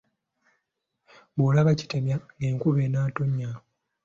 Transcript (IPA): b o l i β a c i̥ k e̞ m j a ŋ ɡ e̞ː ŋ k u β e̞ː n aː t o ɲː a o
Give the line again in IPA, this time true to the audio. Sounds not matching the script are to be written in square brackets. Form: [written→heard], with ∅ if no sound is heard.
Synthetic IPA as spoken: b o l [i→a] β a c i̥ [k→t] e̞ m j a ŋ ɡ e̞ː ŋ k u β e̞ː n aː t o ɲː a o